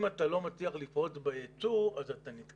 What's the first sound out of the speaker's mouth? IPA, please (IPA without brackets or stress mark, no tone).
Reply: m